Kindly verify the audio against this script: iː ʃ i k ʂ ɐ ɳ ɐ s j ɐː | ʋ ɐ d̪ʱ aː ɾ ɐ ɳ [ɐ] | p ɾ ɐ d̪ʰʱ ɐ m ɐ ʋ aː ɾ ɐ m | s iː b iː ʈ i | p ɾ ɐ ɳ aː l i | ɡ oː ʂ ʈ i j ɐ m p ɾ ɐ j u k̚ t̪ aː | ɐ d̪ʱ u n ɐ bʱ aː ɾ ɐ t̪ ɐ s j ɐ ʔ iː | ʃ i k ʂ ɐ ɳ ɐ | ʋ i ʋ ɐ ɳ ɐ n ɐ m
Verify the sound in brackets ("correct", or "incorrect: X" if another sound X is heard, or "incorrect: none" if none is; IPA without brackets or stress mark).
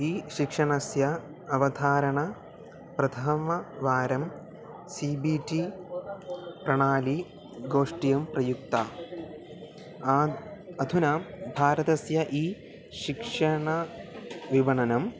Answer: correct